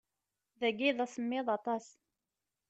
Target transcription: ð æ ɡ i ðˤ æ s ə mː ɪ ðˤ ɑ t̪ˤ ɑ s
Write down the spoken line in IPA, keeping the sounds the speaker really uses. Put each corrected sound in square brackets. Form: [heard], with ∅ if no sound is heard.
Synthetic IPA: ð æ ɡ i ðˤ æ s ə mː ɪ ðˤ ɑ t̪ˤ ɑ s